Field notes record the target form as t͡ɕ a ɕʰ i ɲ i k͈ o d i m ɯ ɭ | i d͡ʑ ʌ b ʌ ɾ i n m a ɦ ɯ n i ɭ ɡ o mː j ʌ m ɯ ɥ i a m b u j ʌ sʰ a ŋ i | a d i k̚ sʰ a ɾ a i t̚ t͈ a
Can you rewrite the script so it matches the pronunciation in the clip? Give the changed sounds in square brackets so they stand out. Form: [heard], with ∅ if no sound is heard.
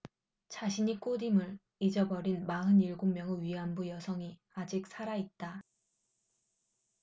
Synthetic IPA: t͡ɕ a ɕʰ i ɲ i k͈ o d i m ɯ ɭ | i d͡ʑ ʌ b ʌ ɾ i n m a ɦ ɯ n i ɭ ɡ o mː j ʌ [ŋ] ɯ ɥ i a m b u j ʌ sʰ [ʌ] ŋ i | a [d͡ʑ] i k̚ sʰ a ɾ a i t̚ t͈ a